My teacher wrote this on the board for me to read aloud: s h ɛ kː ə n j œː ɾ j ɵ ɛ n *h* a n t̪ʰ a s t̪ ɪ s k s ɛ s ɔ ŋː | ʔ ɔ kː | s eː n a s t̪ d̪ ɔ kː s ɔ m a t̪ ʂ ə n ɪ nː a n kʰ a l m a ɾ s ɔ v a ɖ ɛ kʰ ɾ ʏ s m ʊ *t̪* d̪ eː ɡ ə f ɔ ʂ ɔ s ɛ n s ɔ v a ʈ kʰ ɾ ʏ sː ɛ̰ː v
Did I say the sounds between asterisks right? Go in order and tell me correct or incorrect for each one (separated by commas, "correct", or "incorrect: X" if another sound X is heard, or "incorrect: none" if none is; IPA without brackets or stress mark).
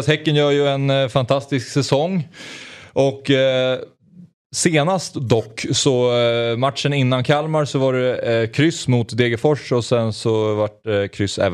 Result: incorrect: f, correct